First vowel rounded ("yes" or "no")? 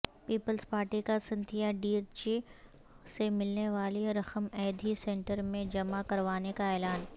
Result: no